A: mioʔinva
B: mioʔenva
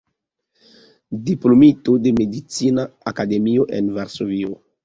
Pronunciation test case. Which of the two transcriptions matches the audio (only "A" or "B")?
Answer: B